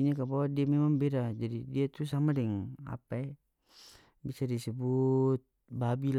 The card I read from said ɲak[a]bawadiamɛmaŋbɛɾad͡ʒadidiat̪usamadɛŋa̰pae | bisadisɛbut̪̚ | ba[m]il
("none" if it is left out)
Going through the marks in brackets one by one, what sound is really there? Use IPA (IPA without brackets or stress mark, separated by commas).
a, b